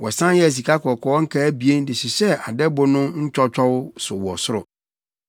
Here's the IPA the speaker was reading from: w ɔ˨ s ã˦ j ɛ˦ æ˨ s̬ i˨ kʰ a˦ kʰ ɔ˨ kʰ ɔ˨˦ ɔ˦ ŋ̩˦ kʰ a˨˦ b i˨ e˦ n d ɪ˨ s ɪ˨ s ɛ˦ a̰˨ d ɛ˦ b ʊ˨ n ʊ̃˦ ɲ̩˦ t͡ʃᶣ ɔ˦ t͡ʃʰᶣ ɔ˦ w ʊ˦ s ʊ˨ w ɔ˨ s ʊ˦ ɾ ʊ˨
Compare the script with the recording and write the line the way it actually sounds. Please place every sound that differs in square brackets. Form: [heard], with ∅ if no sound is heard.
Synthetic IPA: w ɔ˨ s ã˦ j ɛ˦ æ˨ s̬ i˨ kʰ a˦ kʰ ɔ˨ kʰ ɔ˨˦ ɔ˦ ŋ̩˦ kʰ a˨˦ b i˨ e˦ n d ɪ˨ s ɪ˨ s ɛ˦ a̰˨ d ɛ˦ b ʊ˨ n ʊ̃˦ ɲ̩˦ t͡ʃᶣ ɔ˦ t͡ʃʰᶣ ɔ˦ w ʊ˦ s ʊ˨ w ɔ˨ s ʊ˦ ɾ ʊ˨